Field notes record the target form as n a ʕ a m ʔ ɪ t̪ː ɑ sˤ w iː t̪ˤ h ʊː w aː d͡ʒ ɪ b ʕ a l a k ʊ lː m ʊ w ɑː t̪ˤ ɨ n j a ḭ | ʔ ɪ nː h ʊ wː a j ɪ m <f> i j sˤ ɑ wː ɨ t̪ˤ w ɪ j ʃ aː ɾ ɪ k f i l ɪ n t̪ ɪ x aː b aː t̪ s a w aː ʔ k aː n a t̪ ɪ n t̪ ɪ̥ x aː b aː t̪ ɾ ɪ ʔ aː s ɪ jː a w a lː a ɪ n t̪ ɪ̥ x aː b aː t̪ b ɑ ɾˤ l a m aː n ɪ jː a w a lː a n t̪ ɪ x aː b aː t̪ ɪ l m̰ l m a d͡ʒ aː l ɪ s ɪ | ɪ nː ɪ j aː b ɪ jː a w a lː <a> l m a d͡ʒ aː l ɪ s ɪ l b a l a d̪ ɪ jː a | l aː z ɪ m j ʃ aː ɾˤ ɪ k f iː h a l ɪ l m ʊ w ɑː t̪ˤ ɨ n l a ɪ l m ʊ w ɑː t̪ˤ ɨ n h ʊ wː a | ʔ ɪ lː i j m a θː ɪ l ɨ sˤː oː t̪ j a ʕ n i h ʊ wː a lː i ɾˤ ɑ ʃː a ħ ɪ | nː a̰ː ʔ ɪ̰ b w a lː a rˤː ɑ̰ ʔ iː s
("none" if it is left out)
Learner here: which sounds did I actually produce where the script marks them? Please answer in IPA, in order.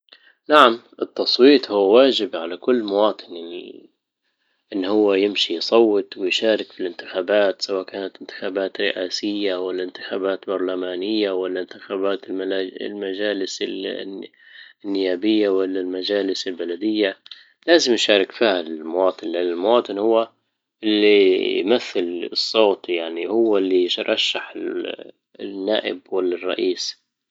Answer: ʃ, a

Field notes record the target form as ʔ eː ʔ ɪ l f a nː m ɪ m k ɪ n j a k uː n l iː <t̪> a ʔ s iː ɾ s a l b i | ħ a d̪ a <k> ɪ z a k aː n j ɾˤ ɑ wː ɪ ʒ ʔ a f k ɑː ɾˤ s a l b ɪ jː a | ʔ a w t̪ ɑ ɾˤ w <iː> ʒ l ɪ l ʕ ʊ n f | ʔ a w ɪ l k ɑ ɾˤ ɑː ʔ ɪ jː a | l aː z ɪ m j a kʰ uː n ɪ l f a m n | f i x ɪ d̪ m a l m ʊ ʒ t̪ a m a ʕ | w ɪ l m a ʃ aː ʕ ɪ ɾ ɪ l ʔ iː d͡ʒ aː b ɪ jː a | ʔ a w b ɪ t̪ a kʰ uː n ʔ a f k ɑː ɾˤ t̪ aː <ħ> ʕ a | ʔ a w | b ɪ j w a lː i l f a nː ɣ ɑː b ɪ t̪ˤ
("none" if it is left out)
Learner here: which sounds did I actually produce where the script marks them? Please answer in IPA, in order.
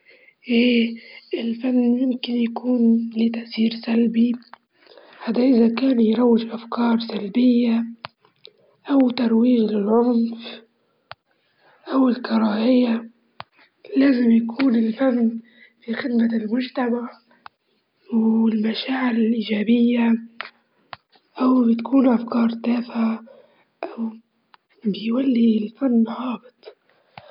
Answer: t̪, ʔ, iː, f

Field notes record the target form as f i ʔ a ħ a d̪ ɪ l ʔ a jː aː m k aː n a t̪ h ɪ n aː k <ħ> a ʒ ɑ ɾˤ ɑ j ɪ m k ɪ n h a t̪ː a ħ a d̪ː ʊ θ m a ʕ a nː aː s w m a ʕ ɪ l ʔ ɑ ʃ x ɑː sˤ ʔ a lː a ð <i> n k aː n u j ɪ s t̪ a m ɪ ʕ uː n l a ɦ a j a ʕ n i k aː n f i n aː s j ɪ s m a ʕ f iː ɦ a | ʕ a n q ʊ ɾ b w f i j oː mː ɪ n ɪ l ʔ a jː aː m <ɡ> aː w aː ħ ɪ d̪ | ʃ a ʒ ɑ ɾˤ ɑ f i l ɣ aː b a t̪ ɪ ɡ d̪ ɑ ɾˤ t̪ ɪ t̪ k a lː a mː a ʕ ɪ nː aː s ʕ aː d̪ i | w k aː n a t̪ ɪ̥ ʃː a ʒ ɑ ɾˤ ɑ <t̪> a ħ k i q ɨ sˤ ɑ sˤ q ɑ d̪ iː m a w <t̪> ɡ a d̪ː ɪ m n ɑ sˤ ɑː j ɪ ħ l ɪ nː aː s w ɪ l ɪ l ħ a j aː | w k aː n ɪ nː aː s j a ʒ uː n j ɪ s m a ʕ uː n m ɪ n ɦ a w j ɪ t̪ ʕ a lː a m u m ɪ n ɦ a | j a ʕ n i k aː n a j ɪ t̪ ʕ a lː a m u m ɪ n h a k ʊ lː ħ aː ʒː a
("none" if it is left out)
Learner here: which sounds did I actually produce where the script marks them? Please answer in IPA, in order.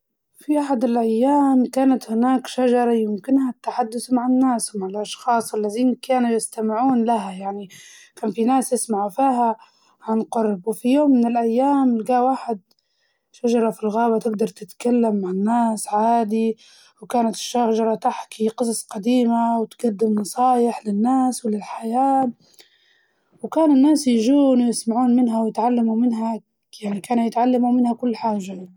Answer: ʃ, iː, ɡ, t̪, t̪

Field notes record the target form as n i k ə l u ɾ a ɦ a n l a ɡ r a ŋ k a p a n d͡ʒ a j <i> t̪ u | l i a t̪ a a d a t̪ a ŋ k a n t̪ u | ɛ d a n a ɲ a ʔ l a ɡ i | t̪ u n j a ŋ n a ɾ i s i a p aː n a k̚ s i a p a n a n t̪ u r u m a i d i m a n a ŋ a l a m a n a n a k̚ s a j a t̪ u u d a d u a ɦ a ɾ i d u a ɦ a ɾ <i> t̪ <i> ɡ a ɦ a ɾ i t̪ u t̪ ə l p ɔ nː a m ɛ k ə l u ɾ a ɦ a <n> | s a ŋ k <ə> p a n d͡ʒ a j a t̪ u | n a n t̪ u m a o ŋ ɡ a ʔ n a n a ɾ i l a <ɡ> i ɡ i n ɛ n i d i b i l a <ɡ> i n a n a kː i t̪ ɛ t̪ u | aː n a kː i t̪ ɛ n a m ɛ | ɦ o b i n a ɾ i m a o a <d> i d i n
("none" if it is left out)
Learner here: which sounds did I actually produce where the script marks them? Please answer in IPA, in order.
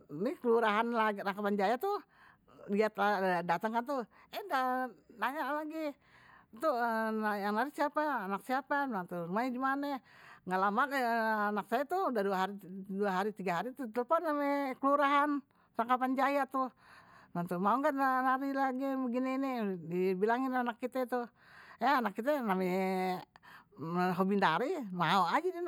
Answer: a, i, i, n, a, ɡ, ŋ, d͡ʒ

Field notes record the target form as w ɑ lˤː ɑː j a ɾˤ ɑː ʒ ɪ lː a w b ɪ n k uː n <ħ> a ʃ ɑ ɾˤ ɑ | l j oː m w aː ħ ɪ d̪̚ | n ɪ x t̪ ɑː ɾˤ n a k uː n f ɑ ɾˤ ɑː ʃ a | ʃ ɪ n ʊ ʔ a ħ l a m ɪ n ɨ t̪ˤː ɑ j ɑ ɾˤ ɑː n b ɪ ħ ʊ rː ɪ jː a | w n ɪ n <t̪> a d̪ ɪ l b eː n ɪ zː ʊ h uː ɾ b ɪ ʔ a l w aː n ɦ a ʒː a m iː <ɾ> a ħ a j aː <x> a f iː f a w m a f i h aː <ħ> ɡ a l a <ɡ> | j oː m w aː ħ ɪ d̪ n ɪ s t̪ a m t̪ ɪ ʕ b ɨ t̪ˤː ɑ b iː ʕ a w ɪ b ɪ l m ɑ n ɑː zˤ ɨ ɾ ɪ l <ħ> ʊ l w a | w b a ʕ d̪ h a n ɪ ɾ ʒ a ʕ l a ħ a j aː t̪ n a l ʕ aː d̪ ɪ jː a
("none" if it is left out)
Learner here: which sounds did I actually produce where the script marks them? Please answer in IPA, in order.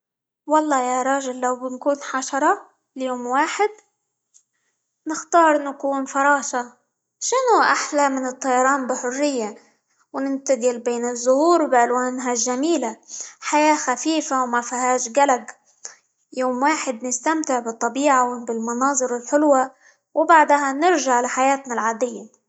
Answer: ħ, t̪, l, x, ʃ, ɡ, ħ

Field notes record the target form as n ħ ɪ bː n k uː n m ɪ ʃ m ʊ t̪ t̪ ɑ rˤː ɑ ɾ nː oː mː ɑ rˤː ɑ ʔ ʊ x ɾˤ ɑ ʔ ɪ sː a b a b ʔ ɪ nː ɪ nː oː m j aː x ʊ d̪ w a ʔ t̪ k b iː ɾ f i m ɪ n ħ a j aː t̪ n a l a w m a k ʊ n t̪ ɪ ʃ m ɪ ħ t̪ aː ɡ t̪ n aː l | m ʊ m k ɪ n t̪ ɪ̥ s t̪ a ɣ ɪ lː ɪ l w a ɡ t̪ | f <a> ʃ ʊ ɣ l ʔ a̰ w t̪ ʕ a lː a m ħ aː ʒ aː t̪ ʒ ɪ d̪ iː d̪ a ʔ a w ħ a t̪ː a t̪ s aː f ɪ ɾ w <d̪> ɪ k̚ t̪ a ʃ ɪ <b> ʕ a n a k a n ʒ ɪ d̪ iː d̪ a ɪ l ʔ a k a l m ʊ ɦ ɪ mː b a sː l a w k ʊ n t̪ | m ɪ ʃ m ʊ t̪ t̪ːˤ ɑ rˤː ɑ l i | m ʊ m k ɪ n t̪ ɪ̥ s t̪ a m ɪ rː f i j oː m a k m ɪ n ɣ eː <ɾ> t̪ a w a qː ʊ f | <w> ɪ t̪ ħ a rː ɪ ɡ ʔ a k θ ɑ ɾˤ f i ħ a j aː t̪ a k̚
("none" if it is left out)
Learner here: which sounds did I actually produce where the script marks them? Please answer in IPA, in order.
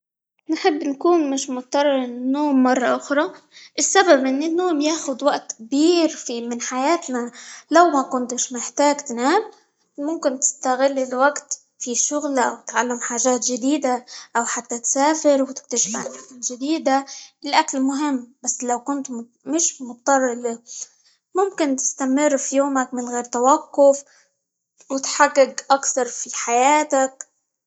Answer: i, t̪, b, ɾ, w

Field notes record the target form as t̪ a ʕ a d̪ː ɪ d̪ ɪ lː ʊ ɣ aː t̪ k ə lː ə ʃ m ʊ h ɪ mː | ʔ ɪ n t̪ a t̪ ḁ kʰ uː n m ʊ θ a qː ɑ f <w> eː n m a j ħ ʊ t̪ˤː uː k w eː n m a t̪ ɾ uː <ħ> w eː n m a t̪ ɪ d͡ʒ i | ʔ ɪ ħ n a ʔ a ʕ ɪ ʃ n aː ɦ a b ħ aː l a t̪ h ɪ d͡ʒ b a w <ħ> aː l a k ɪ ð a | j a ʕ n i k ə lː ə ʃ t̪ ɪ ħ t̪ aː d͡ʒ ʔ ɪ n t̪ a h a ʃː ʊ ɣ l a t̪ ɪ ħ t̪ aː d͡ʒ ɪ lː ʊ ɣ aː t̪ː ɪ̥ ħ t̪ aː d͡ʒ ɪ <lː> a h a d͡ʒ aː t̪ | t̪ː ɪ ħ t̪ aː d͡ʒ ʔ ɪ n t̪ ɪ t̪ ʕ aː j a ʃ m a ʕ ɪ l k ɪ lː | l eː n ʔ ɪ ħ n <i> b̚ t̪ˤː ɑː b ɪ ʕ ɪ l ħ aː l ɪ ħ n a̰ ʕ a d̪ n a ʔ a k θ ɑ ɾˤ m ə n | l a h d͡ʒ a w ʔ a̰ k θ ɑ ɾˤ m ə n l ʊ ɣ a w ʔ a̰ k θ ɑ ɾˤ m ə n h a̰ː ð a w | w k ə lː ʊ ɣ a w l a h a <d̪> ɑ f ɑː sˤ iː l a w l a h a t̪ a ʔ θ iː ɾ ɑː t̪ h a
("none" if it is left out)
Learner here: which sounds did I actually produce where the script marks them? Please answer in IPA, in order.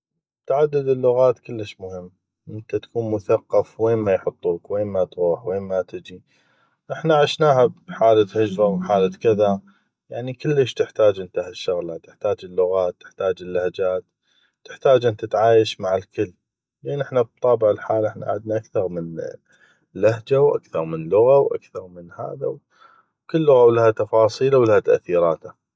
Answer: w, ħ, ħ, lː, a, t̪

